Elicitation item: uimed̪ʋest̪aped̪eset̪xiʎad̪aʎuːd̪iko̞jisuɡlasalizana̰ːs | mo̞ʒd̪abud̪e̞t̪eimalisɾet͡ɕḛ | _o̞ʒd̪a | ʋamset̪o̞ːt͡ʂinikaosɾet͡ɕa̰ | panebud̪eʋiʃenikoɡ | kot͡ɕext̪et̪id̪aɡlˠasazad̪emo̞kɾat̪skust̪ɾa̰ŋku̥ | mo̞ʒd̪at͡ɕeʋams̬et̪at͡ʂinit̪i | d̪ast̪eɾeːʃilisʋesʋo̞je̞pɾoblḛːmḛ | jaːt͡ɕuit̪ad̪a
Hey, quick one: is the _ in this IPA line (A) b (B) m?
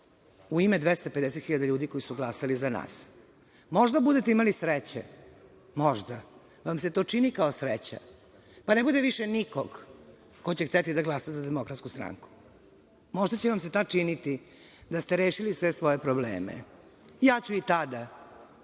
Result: B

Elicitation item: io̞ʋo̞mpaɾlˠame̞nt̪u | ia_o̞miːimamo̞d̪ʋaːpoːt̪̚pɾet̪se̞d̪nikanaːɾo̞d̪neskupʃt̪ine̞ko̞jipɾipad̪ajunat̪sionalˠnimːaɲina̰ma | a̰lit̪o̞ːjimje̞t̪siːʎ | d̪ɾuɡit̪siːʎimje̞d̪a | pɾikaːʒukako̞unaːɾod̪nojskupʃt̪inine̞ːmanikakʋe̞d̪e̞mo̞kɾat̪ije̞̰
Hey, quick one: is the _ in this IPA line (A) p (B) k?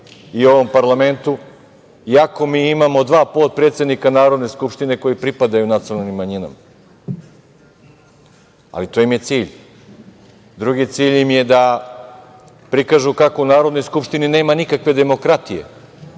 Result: B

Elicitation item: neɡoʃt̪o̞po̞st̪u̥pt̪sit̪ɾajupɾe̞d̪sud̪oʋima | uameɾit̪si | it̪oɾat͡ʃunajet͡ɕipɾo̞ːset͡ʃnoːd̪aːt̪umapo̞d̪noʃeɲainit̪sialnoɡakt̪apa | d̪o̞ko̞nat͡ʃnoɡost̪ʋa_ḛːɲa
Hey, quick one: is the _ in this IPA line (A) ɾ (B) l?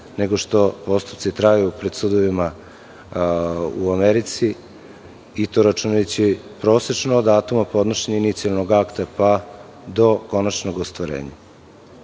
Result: A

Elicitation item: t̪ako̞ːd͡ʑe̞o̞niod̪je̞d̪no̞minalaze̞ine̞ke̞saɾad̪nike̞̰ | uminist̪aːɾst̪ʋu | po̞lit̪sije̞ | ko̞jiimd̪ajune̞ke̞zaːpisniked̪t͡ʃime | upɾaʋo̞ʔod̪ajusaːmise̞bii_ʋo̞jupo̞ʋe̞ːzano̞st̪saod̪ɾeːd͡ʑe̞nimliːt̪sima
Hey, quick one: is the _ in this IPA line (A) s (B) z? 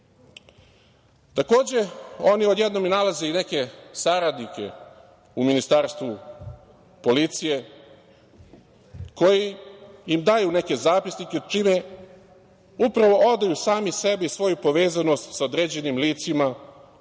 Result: A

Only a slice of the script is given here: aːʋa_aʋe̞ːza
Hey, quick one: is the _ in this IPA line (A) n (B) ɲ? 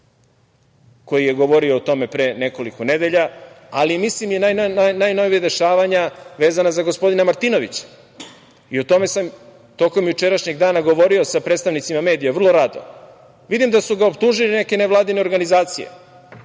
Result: B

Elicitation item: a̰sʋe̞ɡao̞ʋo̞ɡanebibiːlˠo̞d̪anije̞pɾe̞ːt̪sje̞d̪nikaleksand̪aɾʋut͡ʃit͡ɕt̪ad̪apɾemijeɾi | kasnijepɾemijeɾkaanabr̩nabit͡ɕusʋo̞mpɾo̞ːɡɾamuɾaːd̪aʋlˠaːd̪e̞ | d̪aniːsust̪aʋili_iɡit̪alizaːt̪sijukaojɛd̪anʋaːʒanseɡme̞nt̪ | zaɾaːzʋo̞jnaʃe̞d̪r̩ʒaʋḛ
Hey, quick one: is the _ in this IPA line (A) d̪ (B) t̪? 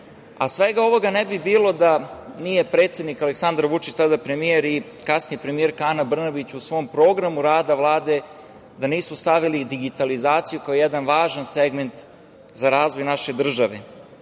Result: A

